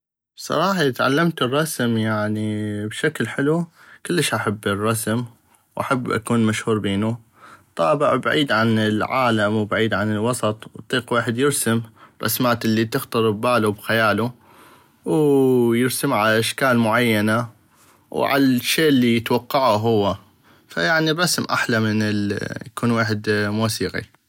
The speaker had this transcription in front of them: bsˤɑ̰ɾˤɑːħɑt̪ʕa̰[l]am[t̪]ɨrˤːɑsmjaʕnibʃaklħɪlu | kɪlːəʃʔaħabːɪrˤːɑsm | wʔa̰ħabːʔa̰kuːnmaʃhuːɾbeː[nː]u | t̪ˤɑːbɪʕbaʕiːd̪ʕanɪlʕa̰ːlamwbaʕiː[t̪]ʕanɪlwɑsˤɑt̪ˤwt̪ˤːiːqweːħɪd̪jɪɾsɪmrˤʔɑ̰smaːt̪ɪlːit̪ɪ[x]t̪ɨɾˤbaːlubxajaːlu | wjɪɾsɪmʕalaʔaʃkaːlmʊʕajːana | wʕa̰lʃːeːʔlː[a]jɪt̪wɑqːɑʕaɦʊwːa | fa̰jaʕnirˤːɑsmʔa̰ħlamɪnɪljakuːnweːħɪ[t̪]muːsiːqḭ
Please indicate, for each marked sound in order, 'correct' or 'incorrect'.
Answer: incorrect, correct, incorrect, incorrect, correct, incorrect, incorrect

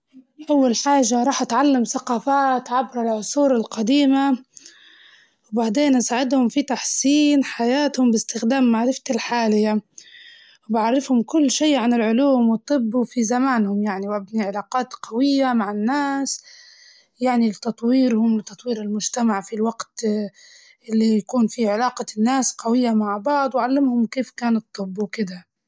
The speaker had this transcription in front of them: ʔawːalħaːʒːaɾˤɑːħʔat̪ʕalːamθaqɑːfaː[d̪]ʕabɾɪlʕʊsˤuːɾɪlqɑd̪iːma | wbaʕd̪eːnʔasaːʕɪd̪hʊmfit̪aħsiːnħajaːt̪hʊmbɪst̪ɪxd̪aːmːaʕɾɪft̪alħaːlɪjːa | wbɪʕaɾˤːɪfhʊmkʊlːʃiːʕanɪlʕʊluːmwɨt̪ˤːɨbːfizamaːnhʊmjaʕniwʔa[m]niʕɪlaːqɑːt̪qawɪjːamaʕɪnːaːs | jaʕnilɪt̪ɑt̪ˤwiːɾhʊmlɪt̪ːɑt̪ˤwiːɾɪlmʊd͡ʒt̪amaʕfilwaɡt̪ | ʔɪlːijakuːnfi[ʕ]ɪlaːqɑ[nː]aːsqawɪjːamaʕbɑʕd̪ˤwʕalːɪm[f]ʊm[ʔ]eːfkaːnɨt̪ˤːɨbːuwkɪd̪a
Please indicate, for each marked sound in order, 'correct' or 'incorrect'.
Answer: incorrect, incorrect, correct, correct, incorrect, incorrect

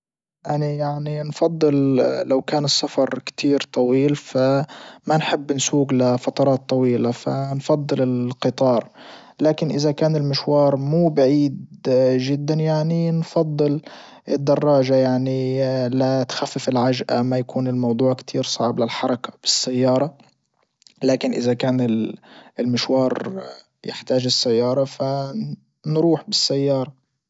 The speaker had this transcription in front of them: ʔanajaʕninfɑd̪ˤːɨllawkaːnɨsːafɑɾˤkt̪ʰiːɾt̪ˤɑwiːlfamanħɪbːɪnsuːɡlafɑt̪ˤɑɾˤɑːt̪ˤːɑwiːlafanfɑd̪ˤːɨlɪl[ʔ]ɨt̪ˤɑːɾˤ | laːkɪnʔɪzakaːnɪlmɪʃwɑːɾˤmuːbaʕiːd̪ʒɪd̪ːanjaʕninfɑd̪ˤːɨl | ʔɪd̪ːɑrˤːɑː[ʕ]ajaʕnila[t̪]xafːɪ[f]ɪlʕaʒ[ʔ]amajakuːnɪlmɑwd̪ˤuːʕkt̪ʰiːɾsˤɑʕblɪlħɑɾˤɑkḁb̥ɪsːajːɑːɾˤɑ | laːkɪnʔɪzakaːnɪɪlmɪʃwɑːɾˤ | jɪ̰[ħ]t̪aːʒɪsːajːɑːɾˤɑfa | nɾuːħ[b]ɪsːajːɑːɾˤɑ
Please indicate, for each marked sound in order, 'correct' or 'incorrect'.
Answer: incorrect, incorrect, correct, correct, correct, correct, correct

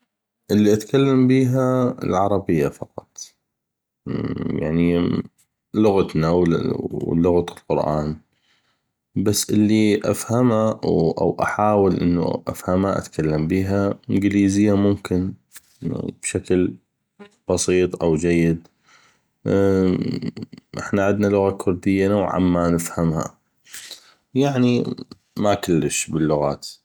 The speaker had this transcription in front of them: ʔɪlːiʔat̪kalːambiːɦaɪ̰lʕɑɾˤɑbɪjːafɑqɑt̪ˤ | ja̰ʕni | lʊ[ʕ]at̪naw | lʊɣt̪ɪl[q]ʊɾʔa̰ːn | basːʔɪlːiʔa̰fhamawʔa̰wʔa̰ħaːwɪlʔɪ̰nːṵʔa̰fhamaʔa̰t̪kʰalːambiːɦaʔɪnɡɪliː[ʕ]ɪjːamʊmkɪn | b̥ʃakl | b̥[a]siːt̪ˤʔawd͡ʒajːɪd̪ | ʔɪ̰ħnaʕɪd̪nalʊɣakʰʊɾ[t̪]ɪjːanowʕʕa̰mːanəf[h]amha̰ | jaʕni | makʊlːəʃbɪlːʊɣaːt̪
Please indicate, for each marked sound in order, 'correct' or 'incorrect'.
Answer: incorrect, correct, incorrect, incorrect, incorrect, correct

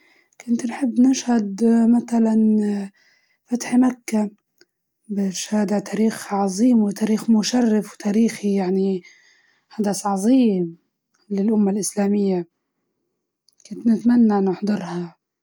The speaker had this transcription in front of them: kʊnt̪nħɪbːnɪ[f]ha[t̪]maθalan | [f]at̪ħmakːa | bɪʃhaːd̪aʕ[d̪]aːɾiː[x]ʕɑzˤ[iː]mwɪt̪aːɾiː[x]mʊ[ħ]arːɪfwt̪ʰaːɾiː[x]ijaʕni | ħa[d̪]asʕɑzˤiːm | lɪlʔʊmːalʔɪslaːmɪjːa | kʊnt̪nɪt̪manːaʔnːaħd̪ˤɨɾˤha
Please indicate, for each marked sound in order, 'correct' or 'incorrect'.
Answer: incorrect, incorrect, correct, incorrect, correct, correct, correct, incorrect, correct, correct

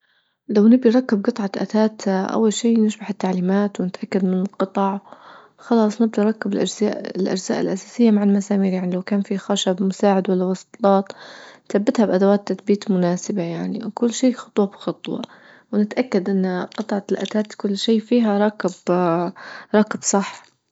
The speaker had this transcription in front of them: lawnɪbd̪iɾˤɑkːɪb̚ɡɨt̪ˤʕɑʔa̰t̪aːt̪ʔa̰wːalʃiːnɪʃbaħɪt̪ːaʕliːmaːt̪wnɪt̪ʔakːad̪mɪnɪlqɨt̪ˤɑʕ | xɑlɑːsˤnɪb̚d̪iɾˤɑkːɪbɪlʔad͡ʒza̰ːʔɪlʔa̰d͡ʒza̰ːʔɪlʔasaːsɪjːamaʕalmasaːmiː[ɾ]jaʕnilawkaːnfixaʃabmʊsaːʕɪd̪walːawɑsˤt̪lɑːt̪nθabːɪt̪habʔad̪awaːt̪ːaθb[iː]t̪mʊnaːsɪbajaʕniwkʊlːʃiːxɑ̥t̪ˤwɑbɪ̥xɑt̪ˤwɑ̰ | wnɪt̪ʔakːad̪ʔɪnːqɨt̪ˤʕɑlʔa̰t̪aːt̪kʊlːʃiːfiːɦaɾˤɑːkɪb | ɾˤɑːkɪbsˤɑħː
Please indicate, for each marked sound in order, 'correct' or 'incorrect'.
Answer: correct, correct

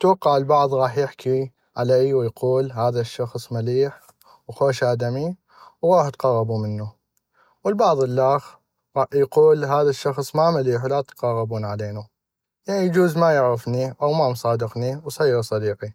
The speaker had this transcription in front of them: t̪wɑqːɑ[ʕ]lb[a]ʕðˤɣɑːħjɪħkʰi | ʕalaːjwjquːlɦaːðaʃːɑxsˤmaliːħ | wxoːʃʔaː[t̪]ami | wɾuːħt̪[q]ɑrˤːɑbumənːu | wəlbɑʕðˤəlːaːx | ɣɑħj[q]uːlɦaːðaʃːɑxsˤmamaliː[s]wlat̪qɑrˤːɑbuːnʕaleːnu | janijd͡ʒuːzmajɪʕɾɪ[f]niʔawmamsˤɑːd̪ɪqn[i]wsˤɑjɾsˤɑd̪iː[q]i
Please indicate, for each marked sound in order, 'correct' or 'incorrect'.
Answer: correct, incorrect, incorrect, correct, correct, incorrect, correct, correct, correct

